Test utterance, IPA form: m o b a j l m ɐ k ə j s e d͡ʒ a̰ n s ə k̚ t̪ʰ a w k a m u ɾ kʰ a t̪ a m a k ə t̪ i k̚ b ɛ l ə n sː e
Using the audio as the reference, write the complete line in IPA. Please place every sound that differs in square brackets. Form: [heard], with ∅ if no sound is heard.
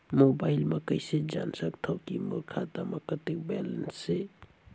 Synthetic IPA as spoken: m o b a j l m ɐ k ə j s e d͡ʒ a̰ n s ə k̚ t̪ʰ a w k [i] m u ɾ kʰ a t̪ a m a k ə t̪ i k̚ b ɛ l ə n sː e